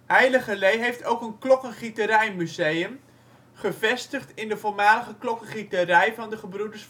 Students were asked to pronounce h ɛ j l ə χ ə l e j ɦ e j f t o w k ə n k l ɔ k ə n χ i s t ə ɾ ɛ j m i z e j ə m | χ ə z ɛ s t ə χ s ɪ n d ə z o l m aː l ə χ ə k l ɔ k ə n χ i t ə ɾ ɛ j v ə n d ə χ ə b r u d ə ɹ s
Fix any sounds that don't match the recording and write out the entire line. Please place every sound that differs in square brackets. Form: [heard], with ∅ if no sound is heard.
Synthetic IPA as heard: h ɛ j l ə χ ə l e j ɦ e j f t o w k ə n k l ɔ k ə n χ i [∅] t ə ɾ ɛ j m [y] z e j ə m | χ ə [v] ɛ s t ə χ [t] ɪ n d ə [v] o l m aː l ə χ ə k l ɔ k ə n χ i t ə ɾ ɛ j v [ɑ] n d ə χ ə b r u d ə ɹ s